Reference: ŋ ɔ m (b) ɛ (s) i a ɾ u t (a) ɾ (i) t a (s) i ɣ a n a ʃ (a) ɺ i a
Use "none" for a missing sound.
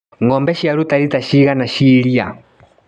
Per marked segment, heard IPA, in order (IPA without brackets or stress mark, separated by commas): b, ʃ, a, i, ʃ, i